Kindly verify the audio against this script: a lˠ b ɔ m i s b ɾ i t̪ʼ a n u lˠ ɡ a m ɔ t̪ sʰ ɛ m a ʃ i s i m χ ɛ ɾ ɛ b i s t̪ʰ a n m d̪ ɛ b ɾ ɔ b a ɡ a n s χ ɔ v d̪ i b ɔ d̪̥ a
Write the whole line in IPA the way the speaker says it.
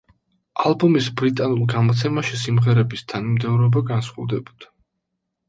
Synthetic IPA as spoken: a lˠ b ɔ m i s b ɾ i t̪ʼ a n u lˠ ɡ a m ɔ t̪ sʰ ɛ m a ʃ i s i m ʁ ɛ ɾ ɛ b i s t̪ʰ a n m d̪ ɛ v ɾ ɔ b a ɡ a n s χ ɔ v d̪ ɛ b ɔ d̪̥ a

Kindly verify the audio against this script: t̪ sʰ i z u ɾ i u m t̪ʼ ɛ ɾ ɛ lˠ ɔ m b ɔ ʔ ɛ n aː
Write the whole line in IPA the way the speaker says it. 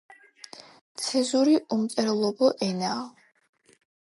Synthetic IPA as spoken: t̪ sʰ ɛ z u ɾ i u m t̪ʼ ɛ ɾ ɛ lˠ ɔ b ɔ ʔ ɛ n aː

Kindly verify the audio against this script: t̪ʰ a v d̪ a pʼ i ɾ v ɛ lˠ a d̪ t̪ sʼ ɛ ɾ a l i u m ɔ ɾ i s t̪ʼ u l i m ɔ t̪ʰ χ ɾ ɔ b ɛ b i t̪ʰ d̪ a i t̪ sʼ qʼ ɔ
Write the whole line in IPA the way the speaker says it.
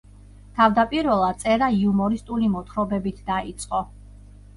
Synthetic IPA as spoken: t̪ʰ a v d̪ a pʼ i ɾ v ɛ lˠ a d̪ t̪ sʼ ɛ ɾ a i u m ɔ ɾ i s t̪ʼ u l i m ɔ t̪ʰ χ ɾ ɔ b ɛ b i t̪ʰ d̪ a i t̪ sʼ qʼ ɔ

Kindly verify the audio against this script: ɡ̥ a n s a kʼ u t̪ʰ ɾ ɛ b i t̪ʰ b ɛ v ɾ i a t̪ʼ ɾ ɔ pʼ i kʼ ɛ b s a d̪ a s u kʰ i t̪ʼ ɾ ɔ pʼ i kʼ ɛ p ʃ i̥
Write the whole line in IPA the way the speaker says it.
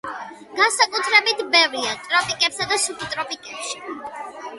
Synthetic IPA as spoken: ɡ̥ a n s a kʼ u t̪ʰ ɾ ɛ b i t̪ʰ b ɛ v ɾ i a t̪ʼ ɾ ɔ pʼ i kʼ ɛ p s a d̪ a s u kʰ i t̪ʼ ɾ ɔ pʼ i kʼ ɛ p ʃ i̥

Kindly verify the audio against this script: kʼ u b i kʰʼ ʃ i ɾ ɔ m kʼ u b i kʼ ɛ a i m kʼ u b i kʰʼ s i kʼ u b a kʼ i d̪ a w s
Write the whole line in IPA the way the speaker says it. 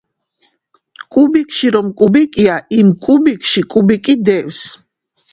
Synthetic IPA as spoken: kʼ u b i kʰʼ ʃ i ɾ ɔ m kʼ u b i kʼ i a i m kʼ u b i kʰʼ ʃ i kʼ u b i kʼ i d̪ ɛ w s

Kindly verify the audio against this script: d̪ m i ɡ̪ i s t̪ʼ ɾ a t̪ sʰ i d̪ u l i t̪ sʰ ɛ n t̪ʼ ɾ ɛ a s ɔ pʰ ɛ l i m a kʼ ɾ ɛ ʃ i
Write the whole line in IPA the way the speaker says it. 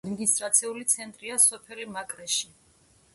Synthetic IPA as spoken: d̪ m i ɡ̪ i s t̪ʼ ɾ a t̪ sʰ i u l i t̪ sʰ ɛ n t̪ʼ ɾ i a s ɔ pʰ ɛ l i m a kʼ ɾ ɛ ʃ i

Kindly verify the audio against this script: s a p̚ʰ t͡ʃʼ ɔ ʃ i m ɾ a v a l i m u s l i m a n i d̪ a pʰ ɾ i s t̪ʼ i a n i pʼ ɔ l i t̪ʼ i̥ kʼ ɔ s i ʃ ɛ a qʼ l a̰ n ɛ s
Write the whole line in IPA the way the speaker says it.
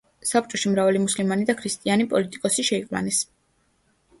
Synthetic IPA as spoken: s a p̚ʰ t͡ʃʼ ɔ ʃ i m ɾ a v a l i m u s l i m a n i d̪ a kʰ ɾ i s t̪ʼ i a n i pʼ ɔ l i t̪ʼ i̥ kʼ ɔ s i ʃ ɛ i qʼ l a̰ n ɛ s

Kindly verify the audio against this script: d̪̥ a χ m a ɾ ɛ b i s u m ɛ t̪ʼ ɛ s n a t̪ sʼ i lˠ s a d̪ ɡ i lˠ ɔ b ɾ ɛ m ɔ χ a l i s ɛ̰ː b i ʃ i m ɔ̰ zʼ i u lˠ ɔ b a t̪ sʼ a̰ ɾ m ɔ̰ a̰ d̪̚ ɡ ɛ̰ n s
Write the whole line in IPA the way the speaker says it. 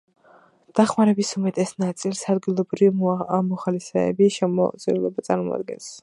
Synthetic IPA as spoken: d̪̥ a χ m a ɾ ɛ b i s u m ɛ t̪ʼ ɛ s n a t̪ sʼ i lˠ s a d̪ ɡ i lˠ ɔ b ɾ i m ɔ χ a l i s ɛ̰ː b i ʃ ɛ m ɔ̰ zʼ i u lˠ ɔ b a t̪ sʼ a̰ ɾ m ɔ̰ a̰ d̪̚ ɡ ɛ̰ n s

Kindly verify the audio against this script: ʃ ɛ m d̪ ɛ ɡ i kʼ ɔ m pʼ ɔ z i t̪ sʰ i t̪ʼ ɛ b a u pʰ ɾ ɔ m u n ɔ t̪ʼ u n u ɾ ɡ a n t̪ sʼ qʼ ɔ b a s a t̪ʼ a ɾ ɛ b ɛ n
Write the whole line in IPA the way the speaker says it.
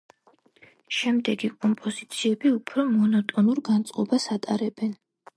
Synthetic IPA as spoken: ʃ ɛ m d̪ ɛ ɡ i kʼ ɔ m pʼ ɔ z i t̪ sʰ i ɛ b i u pʰ ɾ ɔ m ɔ n ɔ t̪ʼ ɔ n u ɾ ɡ a n t̪ sʼ qʼ ɔ b a s a t̪ʼ a ɾ ɛ b ɛ n

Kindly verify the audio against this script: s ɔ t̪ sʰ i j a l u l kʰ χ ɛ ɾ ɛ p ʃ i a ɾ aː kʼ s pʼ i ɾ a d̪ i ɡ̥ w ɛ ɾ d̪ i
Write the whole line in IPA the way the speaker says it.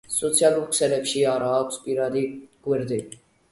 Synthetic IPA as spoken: s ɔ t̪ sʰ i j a l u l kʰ s ɛ l ɛ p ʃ i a ɾ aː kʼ s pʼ i ɾ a d̪ i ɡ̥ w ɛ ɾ d̪ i

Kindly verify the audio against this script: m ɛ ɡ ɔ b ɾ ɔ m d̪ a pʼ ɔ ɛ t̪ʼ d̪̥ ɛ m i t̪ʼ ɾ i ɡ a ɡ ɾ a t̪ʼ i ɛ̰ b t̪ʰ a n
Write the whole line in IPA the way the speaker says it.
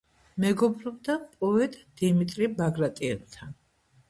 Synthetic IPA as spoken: m ɛ ɡ ɔ b ɾ ɔ b d̪ a pʼ ɔ ɛ t̪ʼ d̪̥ i m i t̪ʼ ɾ i b a ɡ ɾ a t̪ʼ i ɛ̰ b t̪ʰ a n

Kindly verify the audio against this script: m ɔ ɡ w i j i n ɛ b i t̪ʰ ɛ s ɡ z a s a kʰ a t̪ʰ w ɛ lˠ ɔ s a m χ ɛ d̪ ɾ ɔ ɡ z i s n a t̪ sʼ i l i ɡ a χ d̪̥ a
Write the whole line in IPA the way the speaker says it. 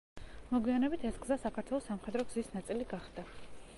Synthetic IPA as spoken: m ɔ ɡ w i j a n ɛ b i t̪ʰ ɛ s ɡ z a s a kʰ a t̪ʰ w ɛ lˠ ɔ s a m χ ɛ d̪ ɾ ɔ ɡ z i s n a t̪ sʼ i l i ɡ a χ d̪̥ a

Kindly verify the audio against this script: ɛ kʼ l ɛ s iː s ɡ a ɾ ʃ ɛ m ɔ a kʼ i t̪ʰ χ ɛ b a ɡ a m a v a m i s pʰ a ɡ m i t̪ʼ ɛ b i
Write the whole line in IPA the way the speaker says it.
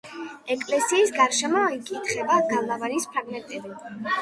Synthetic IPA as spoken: ɛ kʼ l ɛ s iː s ɡ a ɾ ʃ ɛ m ɔ i kʼ i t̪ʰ χ ɛ b a ɡ a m a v a n i s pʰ a ɡ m ɛ t̪ʼ ɛ b i

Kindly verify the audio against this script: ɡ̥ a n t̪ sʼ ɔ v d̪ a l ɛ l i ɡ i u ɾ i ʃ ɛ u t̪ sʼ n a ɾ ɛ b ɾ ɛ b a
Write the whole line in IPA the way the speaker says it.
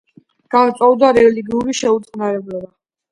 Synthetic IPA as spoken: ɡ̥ a n t̪ sʼ ɔ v d̪ a ɾ ɛ l i ɡ i u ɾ i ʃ ɛ u t̪ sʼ n a ɾ ɛ b l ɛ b a

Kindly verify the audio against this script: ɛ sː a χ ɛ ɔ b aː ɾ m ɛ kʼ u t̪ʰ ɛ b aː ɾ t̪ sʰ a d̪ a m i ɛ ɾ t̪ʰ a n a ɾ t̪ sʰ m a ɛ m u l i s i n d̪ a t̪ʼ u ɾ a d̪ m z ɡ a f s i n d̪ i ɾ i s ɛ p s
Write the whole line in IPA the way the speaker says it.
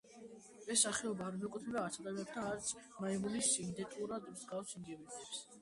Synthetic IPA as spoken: ɛ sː a χ ɛ ɔ b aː ɾ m ɛ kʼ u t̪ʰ ɛ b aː ɾ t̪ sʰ a d̪ a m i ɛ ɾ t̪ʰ a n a ɾ t̪ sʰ m a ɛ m u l i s i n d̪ ɛ t̪ʼ u ɾ a d̪ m z ɡ a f s i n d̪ i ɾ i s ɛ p s

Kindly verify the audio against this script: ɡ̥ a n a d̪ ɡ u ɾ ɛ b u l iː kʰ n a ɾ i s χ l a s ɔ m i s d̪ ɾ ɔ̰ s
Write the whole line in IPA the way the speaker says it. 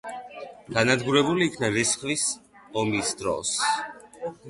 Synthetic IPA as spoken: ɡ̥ a n a d̪ ɡ u ɾ ɛ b u l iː kʰ n a ɾ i s χ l i s ɔ m i s d̪ ɾ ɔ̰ s

